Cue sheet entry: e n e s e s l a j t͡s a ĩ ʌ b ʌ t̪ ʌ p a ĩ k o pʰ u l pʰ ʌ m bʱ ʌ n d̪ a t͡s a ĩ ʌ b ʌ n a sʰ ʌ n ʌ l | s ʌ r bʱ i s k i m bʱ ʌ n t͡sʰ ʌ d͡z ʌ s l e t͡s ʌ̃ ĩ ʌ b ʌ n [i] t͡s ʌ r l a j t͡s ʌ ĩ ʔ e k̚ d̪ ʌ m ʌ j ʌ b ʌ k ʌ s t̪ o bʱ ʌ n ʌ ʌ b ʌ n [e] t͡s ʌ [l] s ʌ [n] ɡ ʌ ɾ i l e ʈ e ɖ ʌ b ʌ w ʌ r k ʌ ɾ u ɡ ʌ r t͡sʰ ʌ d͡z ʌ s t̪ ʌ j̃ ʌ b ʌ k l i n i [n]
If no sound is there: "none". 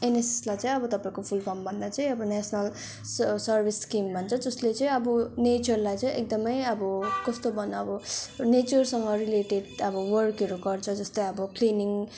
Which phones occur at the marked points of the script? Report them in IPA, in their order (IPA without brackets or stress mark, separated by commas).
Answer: e, e, r, ŋ, ŋ